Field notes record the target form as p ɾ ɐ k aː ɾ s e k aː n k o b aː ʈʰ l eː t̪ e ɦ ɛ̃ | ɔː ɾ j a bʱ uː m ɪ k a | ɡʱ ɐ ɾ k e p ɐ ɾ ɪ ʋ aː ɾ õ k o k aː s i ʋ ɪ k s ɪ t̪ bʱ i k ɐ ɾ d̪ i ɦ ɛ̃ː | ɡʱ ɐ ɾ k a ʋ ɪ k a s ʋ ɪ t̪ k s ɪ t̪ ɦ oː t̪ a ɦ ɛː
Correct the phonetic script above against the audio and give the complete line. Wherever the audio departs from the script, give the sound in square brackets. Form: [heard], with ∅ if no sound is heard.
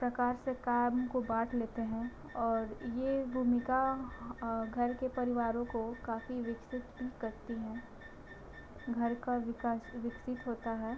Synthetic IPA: p ɾ ɐ k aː ɾ s e k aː [m] k o b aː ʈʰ l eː t̪ e ɦ ɛ̃ | ɔː ɾ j [e] bʱ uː m ɪ k a | ɡʱ ɐ ɾ k e p ɐ ɾ ɪ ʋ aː ɾ õ k o k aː [f] i ʋ ɪ k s ɪ t̪ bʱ i k ɐ ɾ [t̪] i ɦ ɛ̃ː | ɡʱ ɐ ɾ k a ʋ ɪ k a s ʋ ɪ [∅] k s ɪ t̪ ɦ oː t̪ a ɦ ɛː

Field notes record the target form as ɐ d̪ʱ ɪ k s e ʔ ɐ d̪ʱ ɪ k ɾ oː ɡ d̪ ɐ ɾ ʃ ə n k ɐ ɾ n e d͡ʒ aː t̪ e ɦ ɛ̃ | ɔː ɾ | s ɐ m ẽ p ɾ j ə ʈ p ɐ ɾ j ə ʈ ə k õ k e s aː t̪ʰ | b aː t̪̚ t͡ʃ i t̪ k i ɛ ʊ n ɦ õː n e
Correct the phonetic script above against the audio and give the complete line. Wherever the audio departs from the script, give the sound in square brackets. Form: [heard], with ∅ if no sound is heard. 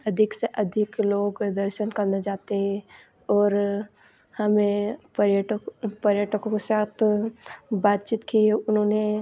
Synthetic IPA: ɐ d̪ʱ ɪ k s e ʔ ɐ d̪ʱ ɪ k [l] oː ɡ d̪ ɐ ɾ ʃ ə n k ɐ ɾ n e d͡ʒ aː t̪ e ɦ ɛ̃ | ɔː ɾ | [h] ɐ m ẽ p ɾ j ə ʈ p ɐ ɾ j ə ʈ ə k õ k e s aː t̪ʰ | b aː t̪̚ t͡ʃ i t̪ k i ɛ ʊ n ɦ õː n e

